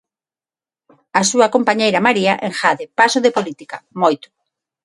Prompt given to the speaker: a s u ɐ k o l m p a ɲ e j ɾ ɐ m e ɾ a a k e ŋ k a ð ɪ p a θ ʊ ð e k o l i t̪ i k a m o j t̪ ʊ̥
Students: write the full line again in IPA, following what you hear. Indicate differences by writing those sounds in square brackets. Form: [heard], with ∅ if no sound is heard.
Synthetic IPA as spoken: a s u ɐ k o [∅] m p a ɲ e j ɾ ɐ m [a] ɾ [i] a [ʔ] e ŋ [x] a ð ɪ p a [s] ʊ ð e [p] o l i t̪ i k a m o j t̪ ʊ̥